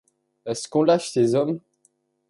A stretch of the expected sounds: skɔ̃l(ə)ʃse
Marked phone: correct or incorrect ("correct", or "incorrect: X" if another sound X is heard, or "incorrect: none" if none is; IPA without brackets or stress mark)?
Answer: incorrect: a